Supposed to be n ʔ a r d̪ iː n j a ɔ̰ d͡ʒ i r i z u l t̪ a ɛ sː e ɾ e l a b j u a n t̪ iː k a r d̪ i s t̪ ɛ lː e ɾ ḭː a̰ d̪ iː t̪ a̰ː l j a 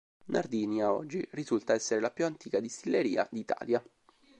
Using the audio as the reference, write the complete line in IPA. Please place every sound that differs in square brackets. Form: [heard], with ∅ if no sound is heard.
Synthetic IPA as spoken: n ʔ a r d̪ iː n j a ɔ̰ [d͡ʒː] i r i z u l t̪ a ɛ sː e ɾ e l a [p] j u a n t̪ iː k a [∅] d̪ i s t̪ [i] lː e ɾ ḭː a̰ d̪ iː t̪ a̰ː l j a